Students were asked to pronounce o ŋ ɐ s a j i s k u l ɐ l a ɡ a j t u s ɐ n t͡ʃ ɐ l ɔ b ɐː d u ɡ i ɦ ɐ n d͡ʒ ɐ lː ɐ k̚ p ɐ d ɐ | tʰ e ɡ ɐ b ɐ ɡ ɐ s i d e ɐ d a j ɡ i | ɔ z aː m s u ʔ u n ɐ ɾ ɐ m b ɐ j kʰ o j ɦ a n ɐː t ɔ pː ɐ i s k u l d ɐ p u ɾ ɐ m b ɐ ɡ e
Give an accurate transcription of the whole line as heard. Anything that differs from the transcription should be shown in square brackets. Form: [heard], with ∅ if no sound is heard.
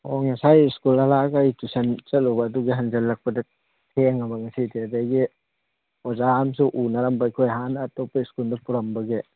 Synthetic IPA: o ŋ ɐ s a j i s k u l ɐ l a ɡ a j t u s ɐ n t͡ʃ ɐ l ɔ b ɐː d u ɡ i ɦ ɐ n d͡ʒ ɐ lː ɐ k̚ p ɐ d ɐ | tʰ e [ŋ] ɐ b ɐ [ŋ] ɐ s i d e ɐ d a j ɡ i | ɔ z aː m s u ʔ u n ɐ ɾ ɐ m b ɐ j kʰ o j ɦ a n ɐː t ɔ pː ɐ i s k u l d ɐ p u ɾ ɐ m b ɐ ɡ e